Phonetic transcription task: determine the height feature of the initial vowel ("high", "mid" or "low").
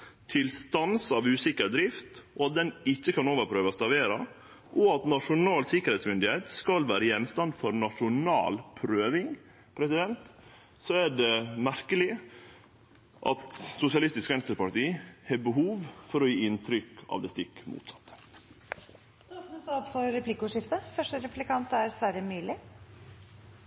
high